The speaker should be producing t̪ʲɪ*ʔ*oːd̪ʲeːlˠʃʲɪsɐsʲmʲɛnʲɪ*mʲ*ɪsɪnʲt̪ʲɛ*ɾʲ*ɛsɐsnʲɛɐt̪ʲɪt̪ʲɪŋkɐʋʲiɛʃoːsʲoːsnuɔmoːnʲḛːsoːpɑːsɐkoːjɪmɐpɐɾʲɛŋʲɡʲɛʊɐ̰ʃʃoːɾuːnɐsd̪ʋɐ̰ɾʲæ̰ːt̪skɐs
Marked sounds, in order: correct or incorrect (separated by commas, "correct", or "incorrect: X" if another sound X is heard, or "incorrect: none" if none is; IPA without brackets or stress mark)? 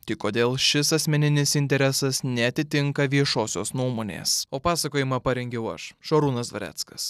incorrect: k, incorrect: nʲ, correct